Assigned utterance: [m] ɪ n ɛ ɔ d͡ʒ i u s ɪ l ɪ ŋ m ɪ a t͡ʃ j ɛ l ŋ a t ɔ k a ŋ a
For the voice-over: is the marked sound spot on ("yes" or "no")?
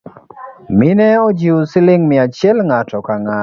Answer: yes